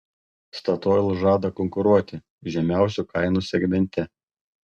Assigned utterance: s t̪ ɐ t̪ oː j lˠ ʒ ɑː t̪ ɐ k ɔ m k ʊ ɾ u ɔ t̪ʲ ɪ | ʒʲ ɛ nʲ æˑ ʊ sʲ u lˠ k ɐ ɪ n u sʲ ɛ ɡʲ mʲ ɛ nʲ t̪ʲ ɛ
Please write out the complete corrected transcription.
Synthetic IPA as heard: s t̪ ɐ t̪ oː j lˠ ʒ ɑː d̪ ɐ k ɔ ŋ k ʊ ɾ u ɔ t̪ʲ ɪ | ʒʲ ɛ mʲ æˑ ʊ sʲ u k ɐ ɪ n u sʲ ɛ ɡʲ mʲ ɛ nʲ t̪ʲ ɛ